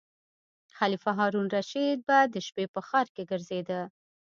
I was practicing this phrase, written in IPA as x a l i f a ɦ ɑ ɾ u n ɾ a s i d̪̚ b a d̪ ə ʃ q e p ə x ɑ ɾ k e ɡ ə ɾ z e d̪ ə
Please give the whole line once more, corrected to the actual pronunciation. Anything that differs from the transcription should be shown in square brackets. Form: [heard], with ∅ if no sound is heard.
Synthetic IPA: x a l i f a ɦ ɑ ɾ u n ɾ a [ʃ] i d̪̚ b a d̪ ə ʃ [p] e p ə x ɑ ɾ k e ɡ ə ɾ z e d̪ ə